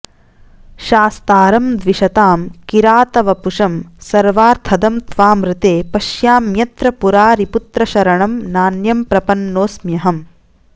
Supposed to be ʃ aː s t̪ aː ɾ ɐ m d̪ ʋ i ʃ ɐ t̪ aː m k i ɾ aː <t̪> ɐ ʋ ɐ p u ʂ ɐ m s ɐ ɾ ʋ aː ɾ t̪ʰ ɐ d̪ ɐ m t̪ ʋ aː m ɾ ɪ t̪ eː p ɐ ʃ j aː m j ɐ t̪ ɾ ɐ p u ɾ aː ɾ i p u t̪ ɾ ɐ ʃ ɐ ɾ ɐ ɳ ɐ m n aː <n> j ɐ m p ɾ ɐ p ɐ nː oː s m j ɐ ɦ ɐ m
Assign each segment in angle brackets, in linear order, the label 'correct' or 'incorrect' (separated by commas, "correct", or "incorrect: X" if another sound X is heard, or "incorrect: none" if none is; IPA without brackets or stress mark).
correct, correct